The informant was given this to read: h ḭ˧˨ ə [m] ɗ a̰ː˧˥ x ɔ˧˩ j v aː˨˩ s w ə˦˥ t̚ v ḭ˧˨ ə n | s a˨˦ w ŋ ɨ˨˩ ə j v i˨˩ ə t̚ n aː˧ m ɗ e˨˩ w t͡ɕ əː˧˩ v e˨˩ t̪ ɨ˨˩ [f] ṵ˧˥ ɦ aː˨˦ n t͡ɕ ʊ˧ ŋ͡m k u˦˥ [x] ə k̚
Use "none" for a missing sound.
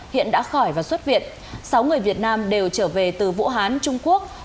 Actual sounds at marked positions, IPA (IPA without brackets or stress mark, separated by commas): n, v, none